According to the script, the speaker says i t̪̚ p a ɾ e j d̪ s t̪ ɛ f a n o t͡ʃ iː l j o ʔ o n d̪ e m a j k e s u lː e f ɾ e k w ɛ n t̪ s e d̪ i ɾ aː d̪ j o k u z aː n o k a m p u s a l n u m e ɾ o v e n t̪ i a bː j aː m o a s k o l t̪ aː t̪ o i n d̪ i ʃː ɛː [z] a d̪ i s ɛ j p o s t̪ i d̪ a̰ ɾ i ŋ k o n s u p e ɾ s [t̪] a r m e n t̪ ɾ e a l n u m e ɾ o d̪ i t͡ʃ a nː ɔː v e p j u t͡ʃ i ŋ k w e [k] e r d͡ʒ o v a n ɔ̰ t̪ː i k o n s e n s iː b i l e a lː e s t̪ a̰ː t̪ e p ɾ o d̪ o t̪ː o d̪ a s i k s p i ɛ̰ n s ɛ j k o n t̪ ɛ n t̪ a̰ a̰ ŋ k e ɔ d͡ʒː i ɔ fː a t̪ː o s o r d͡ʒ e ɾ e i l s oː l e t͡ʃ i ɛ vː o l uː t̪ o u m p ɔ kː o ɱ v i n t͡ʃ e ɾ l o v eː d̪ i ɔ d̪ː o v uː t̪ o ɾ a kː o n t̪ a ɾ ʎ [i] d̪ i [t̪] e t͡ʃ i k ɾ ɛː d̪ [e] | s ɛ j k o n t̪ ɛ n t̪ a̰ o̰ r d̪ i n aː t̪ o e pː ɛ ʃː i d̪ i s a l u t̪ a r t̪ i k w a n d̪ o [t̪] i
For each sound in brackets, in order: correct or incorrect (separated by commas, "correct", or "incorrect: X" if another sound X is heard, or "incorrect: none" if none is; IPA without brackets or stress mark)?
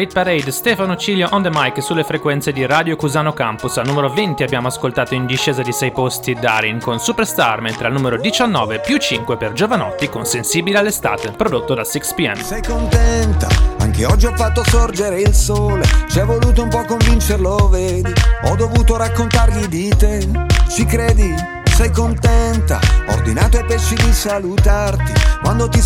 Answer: correct, correct, incorrect: p, correct, correct, incorrect: i, correct